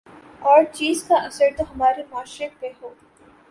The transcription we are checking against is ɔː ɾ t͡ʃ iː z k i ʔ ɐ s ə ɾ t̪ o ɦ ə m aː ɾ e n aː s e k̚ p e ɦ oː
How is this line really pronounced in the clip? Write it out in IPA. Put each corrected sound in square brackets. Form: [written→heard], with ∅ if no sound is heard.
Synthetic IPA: ɔː ɾ t͡ʃ iː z k [i→a] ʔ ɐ s ə ɾ t̪ o ɦ [ə→ɐ] m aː ɾ e [n→m] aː [s→ʃ] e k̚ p e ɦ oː